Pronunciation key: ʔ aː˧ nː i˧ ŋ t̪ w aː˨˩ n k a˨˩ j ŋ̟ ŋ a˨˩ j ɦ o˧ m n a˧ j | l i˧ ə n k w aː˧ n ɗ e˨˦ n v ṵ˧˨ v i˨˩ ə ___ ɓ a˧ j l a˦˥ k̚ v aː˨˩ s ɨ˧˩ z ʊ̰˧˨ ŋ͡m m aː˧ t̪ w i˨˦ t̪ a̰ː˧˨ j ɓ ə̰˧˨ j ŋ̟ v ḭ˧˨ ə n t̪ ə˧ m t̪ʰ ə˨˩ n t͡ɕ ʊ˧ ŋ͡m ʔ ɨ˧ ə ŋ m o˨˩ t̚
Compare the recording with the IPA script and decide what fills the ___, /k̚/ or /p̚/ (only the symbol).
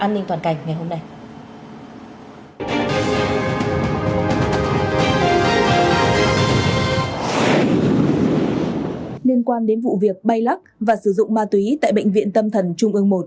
k̚